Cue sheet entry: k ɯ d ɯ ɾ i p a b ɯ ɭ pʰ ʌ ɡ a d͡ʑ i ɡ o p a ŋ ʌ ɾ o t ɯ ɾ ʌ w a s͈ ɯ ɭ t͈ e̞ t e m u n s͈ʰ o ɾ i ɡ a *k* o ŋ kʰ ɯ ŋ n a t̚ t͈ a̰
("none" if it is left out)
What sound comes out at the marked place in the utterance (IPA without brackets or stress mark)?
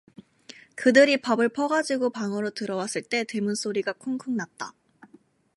kʰ